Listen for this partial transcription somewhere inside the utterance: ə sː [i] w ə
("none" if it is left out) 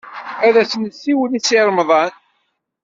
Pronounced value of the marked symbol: i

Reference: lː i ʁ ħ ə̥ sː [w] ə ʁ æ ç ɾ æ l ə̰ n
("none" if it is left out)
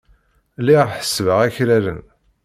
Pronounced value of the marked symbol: v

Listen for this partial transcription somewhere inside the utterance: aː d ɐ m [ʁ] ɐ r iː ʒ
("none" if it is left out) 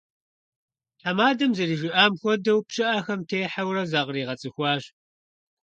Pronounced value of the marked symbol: z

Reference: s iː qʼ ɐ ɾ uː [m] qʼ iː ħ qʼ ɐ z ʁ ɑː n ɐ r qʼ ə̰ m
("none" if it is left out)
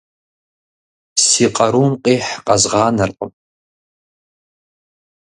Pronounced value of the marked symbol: m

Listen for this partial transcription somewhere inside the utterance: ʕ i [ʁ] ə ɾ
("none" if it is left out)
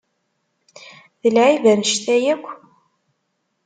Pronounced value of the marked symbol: v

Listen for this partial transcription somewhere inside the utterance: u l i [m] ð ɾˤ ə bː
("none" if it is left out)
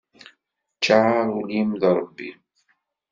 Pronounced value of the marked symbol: m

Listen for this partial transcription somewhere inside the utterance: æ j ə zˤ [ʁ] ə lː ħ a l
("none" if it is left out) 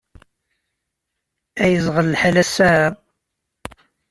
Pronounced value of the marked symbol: ʁ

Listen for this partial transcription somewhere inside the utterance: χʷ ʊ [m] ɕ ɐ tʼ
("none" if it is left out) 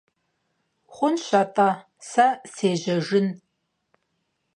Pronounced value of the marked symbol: n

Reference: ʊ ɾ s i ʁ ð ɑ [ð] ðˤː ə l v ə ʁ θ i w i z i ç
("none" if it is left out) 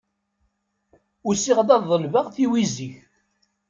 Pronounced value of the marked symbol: ð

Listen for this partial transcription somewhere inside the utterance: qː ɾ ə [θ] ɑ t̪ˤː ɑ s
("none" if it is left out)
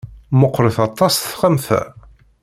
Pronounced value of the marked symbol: θ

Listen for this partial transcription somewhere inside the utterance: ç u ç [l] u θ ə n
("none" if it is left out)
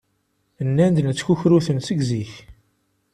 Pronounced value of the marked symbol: ɾ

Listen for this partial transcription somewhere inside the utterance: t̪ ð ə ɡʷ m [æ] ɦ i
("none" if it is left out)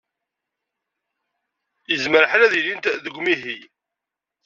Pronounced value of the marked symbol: i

